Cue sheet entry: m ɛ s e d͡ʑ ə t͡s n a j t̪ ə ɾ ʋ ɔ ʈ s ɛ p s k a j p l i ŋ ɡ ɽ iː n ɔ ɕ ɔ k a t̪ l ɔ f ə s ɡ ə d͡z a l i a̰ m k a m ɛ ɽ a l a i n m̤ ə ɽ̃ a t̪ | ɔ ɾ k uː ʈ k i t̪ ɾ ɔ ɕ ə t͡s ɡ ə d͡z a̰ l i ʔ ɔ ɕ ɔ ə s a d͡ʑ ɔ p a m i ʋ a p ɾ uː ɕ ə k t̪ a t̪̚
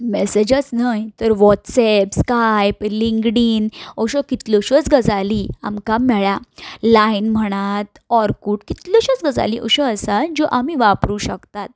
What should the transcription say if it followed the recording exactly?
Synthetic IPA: m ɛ s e d͡ʑ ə t͡s n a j t̪ ə ɾ ʋ ɔ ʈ s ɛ p s k a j p l i ŋ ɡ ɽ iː n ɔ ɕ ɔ k i t̪ l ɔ ɕ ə t͡s ɡ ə d͡z a l i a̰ m k a m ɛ ɭ a l a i n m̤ ə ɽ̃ a t̪ | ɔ ɾ k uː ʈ k i t̪ l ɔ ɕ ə t͡s ɡ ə d͡z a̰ l i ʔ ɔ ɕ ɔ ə s a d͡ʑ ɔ ʔ a m i ʋ a p ɾ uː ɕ ə k t̪ a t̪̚